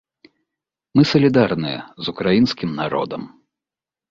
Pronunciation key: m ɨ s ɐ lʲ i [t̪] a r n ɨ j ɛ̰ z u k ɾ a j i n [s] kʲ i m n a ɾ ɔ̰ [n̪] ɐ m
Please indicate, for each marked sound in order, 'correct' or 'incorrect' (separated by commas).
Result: incorrect, correct, incorrect